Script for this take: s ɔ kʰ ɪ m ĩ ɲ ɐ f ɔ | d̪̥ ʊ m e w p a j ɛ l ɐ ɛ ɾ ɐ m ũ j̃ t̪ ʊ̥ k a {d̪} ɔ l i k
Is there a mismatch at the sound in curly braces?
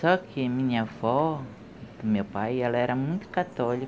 yes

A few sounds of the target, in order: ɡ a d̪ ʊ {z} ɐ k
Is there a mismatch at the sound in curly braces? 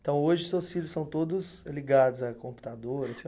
no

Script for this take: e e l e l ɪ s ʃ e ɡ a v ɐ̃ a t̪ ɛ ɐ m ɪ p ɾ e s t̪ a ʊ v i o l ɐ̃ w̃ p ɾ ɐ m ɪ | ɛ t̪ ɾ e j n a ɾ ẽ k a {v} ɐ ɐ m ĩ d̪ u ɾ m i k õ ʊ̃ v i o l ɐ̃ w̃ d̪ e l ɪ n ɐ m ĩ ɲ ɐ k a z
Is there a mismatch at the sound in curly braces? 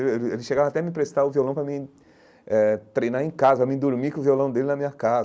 yes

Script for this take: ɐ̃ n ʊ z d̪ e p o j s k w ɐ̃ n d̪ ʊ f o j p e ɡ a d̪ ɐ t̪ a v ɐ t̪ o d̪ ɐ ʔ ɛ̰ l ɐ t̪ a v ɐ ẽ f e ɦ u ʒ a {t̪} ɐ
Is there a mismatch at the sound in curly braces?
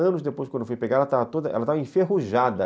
yes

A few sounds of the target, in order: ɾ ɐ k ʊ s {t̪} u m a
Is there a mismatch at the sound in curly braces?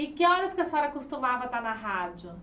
no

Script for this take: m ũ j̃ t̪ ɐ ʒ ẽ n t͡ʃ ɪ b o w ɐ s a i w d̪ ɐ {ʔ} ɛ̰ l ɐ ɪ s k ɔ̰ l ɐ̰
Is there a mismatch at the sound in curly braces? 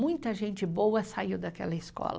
yes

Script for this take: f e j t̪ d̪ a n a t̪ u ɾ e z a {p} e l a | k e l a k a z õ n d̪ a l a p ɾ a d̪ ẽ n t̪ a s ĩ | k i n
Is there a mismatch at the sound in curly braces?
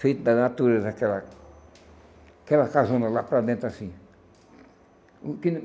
yes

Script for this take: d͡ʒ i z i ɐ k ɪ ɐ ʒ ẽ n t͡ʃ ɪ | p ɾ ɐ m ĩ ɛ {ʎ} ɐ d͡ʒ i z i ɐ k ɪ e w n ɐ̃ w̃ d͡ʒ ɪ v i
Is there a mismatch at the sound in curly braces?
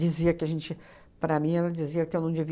yes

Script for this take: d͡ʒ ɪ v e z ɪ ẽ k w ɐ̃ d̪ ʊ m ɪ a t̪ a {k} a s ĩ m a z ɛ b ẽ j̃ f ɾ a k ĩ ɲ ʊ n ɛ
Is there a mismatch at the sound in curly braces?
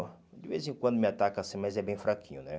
no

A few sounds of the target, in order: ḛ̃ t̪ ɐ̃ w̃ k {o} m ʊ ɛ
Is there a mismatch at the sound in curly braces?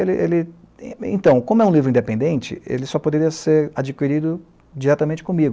yes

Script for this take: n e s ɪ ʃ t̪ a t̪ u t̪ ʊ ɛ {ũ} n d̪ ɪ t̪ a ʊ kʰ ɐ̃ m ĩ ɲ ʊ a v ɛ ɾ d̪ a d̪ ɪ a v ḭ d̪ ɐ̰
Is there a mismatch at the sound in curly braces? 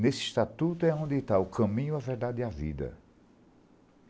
yes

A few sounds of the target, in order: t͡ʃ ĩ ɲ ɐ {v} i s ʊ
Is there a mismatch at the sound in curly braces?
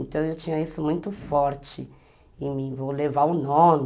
yes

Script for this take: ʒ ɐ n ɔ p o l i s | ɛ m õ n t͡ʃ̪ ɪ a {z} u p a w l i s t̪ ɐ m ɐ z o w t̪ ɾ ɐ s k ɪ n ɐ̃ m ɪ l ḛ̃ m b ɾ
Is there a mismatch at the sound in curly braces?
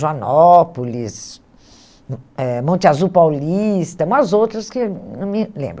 no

